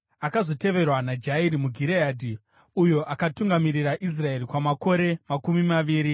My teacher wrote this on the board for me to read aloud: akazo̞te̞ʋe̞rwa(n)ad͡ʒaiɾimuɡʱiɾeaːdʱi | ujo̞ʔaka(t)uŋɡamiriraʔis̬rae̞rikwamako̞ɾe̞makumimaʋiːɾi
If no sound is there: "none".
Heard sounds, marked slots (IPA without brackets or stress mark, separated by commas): n, t